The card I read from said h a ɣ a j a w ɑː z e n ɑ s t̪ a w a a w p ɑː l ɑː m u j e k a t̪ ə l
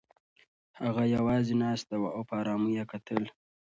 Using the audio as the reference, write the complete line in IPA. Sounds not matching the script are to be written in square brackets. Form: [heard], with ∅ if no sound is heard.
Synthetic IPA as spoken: h a ɣ a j a w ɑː z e n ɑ s t̪ a w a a w p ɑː [ɾ] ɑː m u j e k a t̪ ə l